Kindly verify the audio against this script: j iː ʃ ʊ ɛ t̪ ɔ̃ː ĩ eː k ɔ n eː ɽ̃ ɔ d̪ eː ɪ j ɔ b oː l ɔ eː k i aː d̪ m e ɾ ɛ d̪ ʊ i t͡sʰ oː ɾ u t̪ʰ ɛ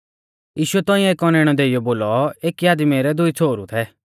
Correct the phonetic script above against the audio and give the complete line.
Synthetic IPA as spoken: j iː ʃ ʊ ɛ t̪ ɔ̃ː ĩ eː k ɔ n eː ɽ̃ ɔ d̪ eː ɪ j ɔ b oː l ɔ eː k i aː d̪ m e ɾ ɛ d̪ ʊ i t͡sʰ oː ɾ u t̪ʰ ɛ